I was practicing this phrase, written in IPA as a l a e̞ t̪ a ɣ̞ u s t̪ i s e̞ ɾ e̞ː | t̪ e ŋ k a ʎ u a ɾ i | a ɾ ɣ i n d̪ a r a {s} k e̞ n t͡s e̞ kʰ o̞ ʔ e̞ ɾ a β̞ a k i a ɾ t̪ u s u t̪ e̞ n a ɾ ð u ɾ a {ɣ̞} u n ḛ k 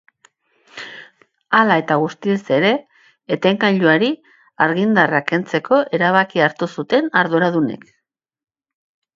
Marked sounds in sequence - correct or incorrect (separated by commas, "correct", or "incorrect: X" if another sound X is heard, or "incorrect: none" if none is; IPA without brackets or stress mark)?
incorrect: none, incorrect: ð̞